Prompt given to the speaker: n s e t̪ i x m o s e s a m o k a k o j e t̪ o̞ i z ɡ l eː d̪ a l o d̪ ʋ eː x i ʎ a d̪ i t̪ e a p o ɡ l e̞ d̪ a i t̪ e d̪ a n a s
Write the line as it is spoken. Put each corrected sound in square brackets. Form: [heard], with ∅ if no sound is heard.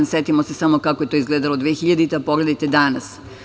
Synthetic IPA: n s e t̪ i [∅] m o s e s a m o k a k o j e t̪ o̞ i z ɡ l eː d̪ a l o d̪ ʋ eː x i ʎ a d̪ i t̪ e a p o ɡ l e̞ d̪ a [j] t̪ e d̪ a n a s